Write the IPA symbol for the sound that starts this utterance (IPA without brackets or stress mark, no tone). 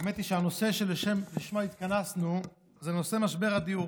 m